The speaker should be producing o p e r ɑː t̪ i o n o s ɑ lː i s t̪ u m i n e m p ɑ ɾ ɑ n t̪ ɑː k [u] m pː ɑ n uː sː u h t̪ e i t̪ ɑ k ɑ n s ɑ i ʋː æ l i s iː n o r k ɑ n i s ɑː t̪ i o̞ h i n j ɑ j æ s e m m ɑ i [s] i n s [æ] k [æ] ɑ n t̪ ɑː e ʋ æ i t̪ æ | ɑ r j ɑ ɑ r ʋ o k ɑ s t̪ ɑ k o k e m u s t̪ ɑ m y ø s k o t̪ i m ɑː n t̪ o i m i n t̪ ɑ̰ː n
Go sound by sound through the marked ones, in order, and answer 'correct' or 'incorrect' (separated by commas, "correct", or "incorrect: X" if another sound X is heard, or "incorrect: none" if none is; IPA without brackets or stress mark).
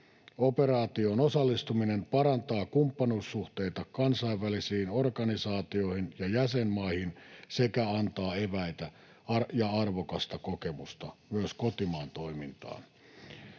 correct, incorrect: h, incorrect: e, correct